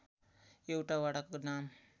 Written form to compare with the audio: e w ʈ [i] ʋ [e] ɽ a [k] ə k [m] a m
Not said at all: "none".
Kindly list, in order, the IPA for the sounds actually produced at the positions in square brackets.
a, a, k, n

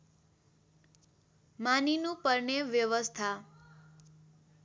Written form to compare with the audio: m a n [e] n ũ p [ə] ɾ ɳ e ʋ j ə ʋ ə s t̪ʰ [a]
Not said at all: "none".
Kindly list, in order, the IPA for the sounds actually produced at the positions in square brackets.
i, ə, a

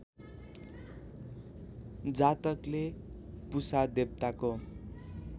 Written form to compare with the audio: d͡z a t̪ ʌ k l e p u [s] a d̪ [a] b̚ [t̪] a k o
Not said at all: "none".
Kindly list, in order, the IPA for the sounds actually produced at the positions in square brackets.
s, e, t̪

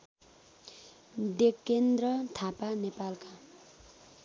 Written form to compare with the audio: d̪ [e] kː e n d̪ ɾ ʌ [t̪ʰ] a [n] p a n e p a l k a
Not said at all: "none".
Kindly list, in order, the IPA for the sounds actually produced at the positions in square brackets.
e, t̪ʰ, none

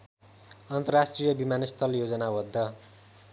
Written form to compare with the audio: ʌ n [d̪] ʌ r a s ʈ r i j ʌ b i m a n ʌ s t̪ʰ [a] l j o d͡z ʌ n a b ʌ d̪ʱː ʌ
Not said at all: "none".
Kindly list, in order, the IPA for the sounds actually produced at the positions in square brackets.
t̪, ʌ

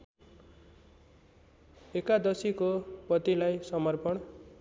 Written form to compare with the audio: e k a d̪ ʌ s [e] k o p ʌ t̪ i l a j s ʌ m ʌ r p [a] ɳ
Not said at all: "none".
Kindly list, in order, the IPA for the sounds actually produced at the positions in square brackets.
i, ʌ

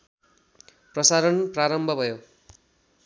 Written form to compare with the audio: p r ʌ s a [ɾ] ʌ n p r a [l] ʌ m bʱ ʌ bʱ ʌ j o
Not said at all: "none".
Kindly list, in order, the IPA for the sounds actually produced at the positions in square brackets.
ɾ, ɾ

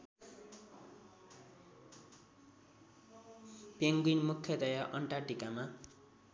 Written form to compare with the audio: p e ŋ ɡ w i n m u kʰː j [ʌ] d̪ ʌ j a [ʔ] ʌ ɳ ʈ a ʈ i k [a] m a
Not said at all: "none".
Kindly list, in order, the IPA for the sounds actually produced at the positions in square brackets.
ʌ, ʔ, a

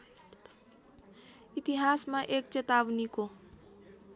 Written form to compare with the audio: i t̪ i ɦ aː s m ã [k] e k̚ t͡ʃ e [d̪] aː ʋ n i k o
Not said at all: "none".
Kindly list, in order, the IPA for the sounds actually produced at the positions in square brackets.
ʔ, t̪

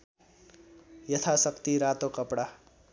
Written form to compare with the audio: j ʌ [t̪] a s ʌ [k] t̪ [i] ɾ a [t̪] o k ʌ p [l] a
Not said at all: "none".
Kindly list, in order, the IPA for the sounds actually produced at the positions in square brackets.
t̪ʰ, k, i, t̪, ɽ

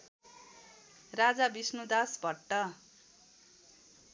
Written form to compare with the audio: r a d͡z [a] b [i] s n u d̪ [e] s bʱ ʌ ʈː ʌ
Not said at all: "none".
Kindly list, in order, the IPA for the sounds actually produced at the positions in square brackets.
a, i, a

